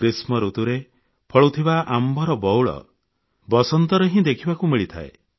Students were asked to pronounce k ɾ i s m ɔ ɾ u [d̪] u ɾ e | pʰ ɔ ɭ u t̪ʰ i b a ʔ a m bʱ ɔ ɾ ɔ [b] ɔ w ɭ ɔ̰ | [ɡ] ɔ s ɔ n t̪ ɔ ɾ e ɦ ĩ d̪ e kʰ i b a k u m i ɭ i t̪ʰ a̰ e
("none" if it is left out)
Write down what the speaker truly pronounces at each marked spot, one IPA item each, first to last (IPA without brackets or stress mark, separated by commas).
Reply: t̪, b, b